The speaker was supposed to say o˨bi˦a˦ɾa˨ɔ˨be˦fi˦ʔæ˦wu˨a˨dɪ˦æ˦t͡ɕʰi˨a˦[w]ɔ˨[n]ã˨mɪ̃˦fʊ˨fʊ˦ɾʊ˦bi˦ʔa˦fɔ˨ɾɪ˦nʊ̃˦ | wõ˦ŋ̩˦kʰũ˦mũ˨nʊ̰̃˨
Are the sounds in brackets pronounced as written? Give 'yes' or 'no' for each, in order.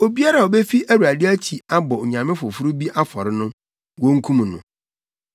no, no

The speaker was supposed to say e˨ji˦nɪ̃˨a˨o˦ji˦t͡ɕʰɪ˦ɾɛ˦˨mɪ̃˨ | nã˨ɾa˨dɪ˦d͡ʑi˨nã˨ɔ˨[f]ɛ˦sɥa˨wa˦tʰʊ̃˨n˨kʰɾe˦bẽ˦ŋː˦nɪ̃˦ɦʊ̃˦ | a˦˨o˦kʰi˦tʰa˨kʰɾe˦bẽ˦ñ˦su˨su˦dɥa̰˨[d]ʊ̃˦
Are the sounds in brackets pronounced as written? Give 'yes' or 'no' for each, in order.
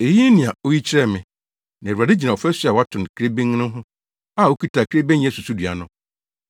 yes, no

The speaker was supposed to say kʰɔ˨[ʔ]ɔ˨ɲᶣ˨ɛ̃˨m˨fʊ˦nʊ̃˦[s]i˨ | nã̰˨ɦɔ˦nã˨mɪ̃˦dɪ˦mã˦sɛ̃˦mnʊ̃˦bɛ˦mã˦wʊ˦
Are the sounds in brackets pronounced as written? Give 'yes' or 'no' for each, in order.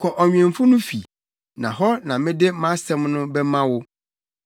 yes, no

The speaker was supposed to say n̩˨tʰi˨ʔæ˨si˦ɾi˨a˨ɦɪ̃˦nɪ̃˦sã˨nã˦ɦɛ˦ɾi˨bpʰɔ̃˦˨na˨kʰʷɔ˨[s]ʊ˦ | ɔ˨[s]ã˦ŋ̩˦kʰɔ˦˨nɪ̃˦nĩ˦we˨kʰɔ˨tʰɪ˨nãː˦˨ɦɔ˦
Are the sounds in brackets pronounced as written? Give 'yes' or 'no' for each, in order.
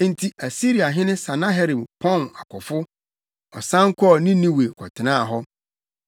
no, yes

